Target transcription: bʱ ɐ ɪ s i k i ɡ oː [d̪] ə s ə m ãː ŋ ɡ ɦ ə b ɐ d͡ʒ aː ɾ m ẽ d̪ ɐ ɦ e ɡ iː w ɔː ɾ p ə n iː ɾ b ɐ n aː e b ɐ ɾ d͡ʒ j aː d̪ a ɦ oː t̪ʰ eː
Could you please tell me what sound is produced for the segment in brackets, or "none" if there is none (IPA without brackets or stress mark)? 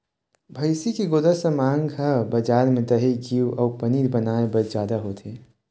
d̪